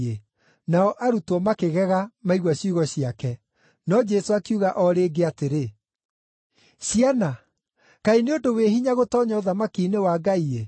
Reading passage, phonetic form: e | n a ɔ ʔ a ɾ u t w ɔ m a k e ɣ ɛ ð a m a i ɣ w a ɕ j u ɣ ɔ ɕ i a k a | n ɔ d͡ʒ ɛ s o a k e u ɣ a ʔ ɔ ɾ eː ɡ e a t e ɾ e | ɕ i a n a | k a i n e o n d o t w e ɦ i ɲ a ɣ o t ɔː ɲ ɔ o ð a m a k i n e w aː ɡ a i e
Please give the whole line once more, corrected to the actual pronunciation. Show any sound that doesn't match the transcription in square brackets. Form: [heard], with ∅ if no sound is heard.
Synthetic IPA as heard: e | n a ɔ ʔ a ɾ u t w ɔ m a k e ɣ ɛ [ɣ] a m a i ɣ w a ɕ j u ɣ ɔ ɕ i a k [ɛ] | n ɔ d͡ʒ ɛ s o a k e u ɣ a ʔ ɔ ɾ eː ɡ e a t e ɾ e | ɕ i a n a | k a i n e o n d o [∅] w e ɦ i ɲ a ɣ o t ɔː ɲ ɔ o ð a m a k i n e w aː ɡ a i e